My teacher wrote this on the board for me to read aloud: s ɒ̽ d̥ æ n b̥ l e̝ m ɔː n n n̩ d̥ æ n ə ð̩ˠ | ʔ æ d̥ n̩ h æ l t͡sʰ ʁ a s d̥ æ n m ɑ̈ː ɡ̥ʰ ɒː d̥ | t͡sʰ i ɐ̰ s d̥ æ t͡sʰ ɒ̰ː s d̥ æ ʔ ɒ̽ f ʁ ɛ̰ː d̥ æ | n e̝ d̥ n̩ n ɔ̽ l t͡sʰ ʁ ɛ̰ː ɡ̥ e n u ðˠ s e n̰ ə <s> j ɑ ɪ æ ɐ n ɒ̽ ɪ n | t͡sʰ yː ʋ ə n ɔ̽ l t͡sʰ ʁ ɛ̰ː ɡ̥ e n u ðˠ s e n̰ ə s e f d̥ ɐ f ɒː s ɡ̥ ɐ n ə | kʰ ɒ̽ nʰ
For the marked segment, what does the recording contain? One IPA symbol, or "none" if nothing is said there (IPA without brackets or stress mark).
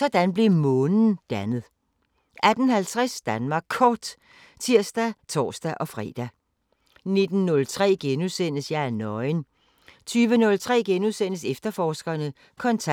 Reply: s